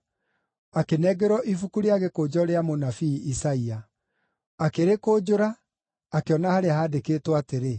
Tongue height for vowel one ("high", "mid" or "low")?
low